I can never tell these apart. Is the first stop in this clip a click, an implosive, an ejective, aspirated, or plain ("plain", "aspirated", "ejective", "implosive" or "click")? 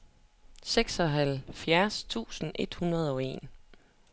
plain